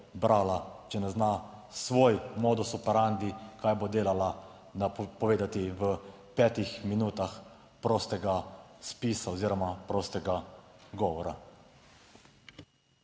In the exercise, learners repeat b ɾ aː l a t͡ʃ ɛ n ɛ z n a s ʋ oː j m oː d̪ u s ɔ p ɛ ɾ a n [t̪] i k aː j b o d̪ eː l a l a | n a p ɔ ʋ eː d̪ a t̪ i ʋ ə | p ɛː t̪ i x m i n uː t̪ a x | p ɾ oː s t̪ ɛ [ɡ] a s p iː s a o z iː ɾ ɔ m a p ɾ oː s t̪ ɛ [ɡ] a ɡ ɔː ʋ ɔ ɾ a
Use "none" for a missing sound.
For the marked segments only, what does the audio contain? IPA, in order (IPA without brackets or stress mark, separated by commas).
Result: d̪, ɡ, ɡ